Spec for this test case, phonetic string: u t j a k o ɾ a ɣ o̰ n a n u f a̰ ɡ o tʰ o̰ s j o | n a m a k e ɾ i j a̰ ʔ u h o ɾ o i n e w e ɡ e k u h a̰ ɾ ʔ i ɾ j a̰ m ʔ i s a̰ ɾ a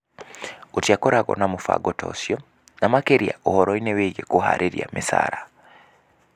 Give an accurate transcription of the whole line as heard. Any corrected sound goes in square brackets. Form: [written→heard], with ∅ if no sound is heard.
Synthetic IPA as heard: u t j a k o ɾ a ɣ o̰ n a [n→m] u f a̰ ɡ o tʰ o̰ s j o | n a m a k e ɾ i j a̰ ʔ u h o ɾ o i n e w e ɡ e k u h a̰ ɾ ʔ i ɾ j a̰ m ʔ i s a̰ ɾ a